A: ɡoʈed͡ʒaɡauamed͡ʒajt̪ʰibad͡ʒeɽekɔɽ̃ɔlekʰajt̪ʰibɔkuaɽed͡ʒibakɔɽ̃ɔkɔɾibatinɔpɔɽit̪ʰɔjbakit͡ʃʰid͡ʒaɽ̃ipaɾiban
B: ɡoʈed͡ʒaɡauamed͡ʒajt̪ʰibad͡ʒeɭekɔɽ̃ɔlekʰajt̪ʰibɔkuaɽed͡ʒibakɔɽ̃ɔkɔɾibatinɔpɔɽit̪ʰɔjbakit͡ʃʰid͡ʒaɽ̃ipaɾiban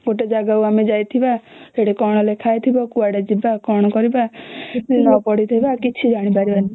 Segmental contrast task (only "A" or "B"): A